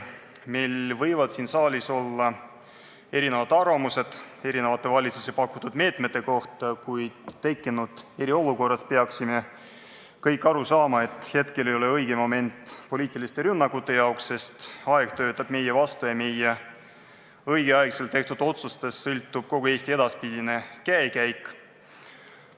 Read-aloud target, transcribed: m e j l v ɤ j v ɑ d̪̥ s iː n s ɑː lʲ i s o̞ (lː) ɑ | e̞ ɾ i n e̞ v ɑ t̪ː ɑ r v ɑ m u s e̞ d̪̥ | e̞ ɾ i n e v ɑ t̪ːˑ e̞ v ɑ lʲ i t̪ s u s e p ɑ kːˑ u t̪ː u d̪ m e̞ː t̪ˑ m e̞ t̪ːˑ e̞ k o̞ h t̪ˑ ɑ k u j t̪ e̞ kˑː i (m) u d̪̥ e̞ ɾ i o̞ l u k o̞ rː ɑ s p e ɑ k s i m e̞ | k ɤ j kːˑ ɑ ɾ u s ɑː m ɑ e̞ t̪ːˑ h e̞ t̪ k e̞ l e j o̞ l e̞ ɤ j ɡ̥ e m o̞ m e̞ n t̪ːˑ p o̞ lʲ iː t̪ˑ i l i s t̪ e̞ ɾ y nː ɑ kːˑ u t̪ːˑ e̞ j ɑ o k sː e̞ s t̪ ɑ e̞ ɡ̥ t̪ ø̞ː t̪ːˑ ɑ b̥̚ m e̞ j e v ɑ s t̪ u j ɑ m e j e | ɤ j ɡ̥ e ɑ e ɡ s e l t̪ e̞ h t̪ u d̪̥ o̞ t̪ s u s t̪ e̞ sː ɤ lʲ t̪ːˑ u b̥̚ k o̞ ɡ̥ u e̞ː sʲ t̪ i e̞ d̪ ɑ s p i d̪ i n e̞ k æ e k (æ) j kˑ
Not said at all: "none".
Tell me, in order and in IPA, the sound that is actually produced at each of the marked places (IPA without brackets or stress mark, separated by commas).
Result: lː, n, æ